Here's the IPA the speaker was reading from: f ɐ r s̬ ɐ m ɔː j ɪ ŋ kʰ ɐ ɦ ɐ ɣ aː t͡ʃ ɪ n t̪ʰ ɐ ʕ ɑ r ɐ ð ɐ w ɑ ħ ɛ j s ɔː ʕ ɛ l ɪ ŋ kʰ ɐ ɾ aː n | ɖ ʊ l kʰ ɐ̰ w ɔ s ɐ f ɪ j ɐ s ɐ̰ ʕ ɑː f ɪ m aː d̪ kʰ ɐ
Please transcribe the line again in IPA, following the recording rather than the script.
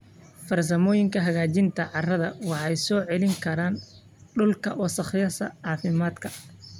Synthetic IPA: f ɐ r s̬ ɐ m ɔː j ɪ ŋ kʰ ɐ ɦ ɐ ɣ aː t͡ʃ ɪ n t̪ʰ ɐ ʕ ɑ r ɐ ð ɐ w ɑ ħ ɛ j s ɔː ʕ ɛ l ɪ ŋ kʰ ɐ ɾ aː n | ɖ ʊ l kʰ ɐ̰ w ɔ s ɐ χ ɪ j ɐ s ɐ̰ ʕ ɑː f ɪ m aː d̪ kʰ ɐ